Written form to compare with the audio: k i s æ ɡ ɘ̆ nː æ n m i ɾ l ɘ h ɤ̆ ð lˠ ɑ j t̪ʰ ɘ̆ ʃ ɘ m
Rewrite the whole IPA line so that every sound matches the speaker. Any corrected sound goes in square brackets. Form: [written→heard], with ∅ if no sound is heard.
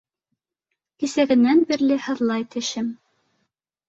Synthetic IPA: k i s æ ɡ ɘ̆ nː æ n [m→b] i ɾ l ɘ h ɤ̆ ð lˠ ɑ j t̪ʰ ɘ̆ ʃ ɘ m

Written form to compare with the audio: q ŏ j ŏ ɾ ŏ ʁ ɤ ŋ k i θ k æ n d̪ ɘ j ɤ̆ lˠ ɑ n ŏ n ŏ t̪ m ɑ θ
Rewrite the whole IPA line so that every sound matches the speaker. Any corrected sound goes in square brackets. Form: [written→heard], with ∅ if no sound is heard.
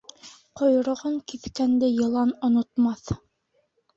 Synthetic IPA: q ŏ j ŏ ɾ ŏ ʁ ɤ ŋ k i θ k æ n d̪ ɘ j ɤ̆ lˠ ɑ n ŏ n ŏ t̪ m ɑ θ

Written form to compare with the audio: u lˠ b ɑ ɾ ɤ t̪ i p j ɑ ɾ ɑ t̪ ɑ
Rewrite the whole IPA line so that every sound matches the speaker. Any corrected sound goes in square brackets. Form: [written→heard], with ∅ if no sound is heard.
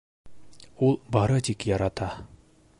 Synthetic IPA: u lˠ b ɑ ɾ ɤ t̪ i [p→k] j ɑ ɾ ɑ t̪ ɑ

